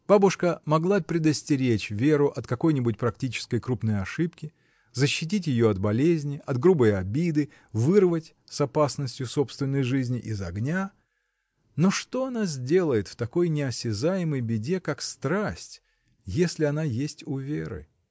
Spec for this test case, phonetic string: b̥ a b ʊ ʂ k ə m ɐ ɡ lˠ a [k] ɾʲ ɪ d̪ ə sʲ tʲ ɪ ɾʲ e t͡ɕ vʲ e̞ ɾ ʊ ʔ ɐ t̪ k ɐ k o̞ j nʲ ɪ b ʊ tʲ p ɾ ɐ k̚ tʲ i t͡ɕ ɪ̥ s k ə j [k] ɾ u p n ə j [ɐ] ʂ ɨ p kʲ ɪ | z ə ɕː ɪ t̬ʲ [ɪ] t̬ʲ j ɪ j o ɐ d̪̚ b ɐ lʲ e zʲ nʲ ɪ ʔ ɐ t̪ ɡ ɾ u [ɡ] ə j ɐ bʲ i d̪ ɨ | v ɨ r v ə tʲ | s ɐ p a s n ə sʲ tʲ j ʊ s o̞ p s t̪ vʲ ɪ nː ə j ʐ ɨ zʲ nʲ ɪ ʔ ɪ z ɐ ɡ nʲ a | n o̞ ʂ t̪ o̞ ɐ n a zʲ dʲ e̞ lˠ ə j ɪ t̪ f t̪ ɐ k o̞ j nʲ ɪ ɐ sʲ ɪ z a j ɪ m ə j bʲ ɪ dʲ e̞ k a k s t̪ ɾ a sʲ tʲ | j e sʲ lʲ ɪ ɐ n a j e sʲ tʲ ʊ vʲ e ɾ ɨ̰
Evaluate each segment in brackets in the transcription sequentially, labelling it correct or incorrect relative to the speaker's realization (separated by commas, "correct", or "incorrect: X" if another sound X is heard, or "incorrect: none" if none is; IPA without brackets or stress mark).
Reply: incorrect: p, correct, correct, incorrect: i, incorrect: b